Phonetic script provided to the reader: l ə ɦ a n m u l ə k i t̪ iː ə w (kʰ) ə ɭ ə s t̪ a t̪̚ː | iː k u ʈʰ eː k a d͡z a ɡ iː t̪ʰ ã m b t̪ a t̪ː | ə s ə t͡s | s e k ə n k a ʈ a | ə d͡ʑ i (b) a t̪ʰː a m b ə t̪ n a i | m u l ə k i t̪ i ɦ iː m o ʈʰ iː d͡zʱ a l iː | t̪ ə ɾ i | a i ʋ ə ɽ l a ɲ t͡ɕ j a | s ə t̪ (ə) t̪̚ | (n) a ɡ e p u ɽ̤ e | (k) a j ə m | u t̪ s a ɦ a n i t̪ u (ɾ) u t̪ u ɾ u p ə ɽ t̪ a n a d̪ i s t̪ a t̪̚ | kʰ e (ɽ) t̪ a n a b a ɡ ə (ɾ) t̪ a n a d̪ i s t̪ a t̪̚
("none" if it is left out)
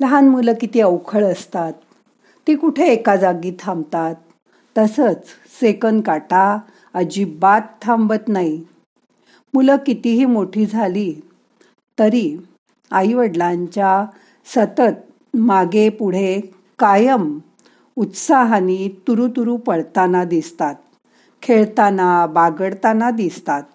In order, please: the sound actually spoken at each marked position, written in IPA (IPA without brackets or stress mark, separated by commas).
kʰ, b, ə, m, k, ɾ, ɭ, ɽ